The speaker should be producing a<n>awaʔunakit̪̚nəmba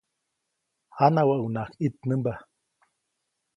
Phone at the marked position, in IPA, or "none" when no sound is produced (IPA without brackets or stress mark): n